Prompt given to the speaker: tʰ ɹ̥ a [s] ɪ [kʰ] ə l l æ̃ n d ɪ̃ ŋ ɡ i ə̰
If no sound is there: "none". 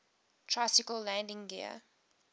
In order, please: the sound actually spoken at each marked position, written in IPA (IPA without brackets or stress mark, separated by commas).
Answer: s, k